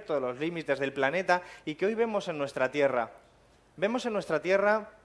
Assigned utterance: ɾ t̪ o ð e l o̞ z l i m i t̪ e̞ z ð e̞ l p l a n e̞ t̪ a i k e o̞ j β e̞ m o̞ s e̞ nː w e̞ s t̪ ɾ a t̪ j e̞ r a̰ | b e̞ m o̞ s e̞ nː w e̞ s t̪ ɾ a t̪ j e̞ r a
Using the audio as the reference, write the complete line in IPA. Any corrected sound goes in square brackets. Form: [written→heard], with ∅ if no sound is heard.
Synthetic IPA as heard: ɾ t̪ o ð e l o̞ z l i m i t̪ e̞ z ð e̞ l p l a n e̞ t̪ a i k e o̞ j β e̞ m o̞ s e̞ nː w e̞ s t̪ ɾ a t̪ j e̞ r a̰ | b e̞ m o̞ s e̞ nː w e̞ s t̪ ɾ a t̪ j e̞ r a